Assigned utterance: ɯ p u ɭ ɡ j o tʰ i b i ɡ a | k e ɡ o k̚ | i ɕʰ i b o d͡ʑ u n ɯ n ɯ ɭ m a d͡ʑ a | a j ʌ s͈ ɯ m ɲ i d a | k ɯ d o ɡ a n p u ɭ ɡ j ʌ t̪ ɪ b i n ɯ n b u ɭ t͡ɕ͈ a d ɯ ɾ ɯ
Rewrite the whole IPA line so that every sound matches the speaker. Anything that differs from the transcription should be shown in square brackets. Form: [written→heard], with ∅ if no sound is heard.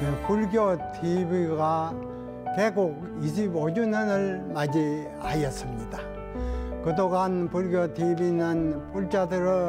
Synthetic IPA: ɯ p u ɭ ɡ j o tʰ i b i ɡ a | k e ɡ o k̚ | i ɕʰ i b o d͡ʑ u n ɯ n ɯ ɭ m a d͡ʑ [a→i] | a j ʌ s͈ ɯ m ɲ i d a | k ɯ d o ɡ a n p u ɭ ɡ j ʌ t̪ [ɪ→i] b i n ɯ n [b→p] u ɭ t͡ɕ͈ a d ɯ ɾ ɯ